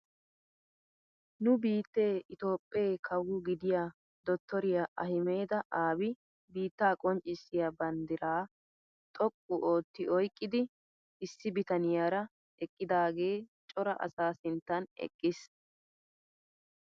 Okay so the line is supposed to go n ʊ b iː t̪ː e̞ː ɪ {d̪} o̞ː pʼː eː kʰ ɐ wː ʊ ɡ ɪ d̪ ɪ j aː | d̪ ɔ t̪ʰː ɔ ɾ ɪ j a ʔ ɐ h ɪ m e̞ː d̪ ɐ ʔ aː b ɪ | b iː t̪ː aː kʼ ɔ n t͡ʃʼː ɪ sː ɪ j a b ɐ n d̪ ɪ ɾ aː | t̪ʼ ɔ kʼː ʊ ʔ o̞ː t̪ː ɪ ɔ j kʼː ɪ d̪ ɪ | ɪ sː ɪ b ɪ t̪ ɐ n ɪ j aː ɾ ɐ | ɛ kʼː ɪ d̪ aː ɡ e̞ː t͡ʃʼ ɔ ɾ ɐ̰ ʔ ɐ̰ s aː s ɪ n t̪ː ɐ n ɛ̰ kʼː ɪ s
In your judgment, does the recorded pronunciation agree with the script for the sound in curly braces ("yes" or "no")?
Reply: no